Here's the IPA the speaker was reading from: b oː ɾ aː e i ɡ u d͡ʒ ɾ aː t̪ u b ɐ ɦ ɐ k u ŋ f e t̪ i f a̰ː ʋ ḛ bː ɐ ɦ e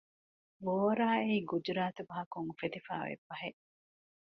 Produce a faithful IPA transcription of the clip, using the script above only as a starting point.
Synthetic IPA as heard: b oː ɾ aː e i ɡ u d͡ʒ ɾ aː t̪ u b ɐ ɦ ɐ k u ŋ f e t̪ i f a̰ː ʋ ḛ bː ɐ ɦ e